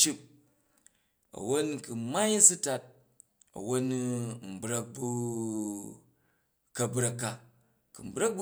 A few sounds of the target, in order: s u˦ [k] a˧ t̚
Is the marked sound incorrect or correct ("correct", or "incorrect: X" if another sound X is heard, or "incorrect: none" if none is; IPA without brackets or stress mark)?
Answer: incorrect: t